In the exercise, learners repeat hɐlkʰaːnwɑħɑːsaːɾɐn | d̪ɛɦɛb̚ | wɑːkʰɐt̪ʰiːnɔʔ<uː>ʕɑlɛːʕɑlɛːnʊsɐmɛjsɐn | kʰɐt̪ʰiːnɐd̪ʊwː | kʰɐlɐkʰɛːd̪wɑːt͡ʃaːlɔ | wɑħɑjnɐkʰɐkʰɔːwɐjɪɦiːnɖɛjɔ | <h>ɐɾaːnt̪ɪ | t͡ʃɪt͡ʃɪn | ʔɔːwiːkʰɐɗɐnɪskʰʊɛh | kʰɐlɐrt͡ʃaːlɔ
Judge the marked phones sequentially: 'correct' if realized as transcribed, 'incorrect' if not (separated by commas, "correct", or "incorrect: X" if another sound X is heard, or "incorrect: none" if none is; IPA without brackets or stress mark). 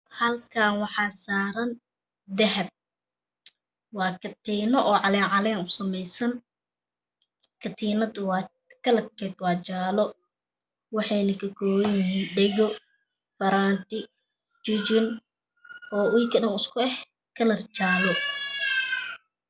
incorrect: ɔː, incorrect: f